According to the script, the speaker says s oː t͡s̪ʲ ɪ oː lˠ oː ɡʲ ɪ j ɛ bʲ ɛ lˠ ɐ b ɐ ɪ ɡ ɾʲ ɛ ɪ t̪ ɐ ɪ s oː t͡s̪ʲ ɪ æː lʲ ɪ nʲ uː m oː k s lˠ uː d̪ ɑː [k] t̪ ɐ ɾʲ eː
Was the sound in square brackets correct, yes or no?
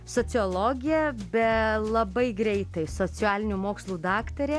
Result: yes